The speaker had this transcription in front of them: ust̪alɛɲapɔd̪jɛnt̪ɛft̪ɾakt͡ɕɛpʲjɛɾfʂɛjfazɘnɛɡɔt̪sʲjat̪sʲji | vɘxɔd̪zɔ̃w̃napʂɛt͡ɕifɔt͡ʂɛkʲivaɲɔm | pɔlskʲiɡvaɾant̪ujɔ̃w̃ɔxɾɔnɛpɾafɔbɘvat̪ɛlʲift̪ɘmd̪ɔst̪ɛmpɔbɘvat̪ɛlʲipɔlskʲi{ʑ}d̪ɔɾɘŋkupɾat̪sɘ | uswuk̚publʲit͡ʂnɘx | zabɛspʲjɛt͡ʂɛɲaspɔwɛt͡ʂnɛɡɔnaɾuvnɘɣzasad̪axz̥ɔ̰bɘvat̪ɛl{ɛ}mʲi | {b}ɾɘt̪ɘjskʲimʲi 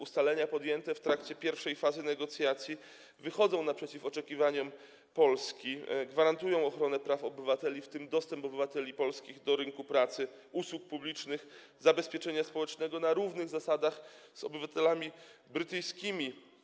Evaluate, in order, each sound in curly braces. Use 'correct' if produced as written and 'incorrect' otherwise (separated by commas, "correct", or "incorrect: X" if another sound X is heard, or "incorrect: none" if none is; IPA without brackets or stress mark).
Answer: incorrect: ɣ, incorrect: a, correct